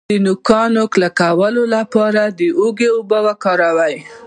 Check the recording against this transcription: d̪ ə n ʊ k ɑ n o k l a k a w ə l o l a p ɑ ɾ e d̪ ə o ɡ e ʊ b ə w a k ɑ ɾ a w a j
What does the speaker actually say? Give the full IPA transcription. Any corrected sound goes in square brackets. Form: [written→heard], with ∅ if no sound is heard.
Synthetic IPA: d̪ ə n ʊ k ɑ n o k l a k a w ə l o l a p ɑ ɾ [e→a] d̪ ə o ɡ e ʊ b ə w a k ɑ ɾ a w a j